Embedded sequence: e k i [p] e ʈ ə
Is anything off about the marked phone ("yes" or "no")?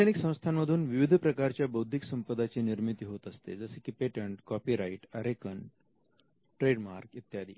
no